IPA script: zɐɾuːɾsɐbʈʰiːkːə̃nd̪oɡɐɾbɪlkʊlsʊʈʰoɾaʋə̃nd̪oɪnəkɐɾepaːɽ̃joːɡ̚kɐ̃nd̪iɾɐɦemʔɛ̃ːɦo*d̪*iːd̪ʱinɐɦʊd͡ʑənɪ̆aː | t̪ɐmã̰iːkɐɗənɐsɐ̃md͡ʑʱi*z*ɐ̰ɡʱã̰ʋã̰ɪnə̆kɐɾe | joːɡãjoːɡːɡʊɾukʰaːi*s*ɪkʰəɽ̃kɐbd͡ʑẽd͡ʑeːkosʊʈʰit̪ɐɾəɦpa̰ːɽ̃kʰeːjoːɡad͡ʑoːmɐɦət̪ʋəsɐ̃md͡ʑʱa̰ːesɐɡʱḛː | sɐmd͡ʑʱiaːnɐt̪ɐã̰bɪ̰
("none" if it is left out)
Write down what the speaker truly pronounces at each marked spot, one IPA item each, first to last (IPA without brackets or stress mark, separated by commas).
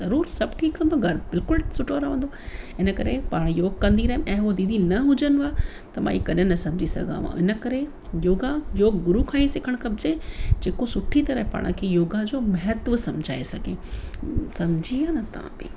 d̪, s, s